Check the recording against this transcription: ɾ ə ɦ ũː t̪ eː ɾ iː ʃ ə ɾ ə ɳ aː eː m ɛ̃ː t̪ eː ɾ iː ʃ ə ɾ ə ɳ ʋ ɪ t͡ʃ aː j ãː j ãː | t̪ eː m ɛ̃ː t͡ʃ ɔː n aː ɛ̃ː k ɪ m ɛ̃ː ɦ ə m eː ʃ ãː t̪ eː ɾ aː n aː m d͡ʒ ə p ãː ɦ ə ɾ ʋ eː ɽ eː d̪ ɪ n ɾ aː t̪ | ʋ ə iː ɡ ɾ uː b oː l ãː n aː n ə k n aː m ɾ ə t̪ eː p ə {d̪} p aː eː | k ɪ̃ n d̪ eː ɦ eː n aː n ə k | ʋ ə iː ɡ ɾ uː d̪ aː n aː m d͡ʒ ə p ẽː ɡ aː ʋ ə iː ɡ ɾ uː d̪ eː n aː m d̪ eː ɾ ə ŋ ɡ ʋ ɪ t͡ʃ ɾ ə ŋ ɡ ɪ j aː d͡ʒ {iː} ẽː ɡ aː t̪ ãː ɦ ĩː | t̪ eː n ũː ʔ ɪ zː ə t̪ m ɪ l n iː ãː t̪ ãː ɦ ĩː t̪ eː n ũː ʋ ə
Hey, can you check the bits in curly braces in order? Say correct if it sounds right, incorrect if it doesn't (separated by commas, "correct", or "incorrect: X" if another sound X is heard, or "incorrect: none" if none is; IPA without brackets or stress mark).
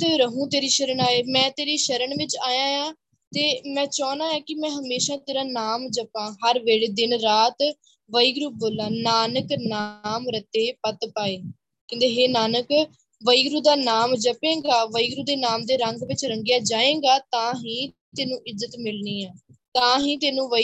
incorrect: t̪, incorrect: aː